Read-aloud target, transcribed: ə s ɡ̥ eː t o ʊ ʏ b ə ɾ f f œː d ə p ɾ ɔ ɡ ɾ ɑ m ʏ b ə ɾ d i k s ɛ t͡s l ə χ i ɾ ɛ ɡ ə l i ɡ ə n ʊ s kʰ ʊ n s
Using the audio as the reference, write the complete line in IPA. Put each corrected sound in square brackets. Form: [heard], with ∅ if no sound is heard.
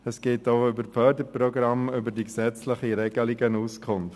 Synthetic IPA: ə s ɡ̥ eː t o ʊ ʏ b ə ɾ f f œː d ə p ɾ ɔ ɡ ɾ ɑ m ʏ b ə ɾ d i k s ɛ t͡s l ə χ i ɾ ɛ ɡ ə l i ɡ ə n [u] s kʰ ʊ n [f]